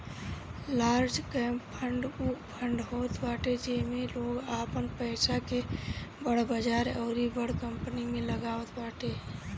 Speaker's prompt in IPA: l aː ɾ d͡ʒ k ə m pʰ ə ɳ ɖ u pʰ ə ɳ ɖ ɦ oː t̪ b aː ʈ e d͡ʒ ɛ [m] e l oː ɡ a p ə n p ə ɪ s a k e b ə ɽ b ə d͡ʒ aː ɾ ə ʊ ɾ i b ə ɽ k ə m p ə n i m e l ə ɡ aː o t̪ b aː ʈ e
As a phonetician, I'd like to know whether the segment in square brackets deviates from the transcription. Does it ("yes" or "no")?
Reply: no